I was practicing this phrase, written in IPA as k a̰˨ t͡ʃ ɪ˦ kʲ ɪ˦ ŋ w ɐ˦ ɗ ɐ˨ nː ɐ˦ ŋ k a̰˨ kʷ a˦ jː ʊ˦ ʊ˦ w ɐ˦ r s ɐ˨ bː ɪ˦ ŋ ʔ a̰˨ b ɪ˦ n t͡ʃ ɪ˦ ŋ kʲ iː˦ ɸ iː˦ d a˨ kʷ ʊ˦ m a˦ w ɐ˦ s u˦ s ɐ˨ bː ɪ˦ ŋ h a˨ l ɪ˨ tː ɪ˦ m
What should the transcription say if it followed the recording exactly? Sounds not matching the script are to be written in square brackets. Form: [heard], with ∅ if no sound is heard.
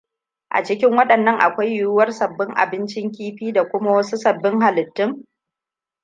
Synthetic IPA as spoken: [ʔ] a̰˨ t͡ʃ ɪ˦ kʲ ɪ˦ ŋ w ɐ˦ ɗ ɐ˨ nː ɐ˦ ŋ [ʔ] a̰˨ kʷ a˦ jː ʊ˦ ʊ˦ w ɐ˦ r s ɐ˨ bː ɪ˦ ŋ ʔ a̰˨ b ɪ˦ n t͡ʃ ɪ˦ ŋ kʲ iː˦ ɸ iː˦ d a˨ kʷ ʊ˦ m a˦ w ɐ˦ s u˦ s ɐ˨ bː ɪ˦ ŋ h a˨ l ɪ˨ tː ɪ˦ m